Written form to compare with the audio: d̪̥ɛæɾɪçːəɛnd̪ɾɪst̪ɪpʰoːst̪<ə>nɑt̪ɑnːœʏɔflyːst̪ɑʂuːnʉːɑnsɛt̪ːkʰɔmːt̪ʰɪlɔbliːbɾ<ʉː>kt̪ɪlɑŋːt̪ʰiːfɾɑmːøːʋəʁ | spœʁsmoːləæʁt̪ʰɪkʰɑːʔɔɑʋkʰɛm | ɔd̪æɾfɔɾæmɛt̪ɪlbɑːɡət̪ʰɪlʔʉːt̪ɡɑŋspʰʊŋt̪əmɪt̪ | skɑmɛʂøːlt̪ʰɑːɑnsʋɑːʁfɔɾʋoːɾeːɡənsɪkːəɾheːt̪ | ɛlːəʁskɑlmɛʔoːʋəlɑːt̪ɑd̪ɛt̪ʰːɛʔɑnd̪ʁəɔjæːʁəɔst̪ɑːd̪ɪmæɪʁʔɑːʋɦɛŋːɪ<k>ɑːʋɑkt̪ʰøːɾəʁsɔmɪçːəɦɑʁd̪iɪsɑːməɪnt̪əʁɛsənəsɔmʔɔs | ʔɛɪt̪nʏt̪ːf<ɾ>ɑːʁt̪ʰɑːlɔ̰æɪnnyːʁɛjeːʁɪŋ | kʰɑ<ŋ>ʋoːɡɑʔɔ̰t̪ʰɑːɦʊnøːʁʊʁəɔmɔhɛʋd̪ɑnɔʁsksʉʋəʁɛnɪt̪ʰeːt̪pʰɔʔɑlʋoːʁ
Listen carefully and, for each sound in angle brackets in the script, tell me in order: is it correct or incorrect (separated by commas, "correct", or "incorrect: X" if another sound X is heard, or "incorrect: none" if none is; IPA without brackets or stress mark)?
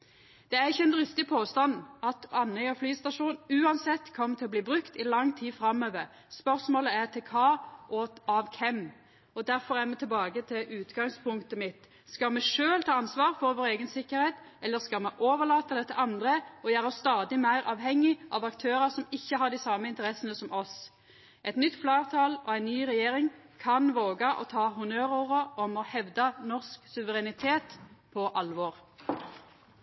incorrect: ɑ, incorrect: ʉ, incorrect: ʔ, incorrect: l, incorrect: n